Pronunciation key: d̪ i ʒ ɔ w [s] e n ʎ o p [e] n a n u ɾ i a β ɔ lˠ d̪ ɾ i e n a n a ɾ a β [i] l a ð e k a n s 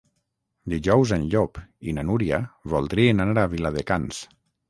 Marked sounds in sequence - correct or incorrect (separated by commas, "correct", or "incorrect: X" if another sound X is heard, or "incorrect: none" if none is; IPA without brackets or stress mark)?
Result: incorrect: z, incorrect: i, correct